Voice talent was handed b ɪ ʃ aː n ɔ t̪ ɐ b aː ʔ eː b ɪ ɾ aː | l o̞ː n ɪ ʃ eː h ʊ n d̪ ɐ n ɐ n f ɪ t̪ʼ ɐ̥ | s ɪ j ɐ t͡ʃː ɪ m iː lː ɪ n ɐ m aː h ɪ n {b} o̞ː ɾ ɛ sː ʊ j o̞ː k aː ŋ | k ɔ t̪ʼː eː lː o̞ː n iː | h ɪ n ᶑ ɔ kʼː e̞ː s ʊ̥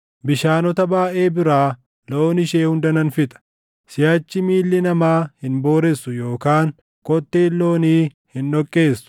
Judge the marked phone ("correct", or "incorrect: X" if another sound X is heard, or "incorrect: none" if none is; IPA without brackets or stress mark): correct